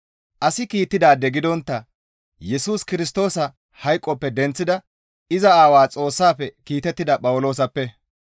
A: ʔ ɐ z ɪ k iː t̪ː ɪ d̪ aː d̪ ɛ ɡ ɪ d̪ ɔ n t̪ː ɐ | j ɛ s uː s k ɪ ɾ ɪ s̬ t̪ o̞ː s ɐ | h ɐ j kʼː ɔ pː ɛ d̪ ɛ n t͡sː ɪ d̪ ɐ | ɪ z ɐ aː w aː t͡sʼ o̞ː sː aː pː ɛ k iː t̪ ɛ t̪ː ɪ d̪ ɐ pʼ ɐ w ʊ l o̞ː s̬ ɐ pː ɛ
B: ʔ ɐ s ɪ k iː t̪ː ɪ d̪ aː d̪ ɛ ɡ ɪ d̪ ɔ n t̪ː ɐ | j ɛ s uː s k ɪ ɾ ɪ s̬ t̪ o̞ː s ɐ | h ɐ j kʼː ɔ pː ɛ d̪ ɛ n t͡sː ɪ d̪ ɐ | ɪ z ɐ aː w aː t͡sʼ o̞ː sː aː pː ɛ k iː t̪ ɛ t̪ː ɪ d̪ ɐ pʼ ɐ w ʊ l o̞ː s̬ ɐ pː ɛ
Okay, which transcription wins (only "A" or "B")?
B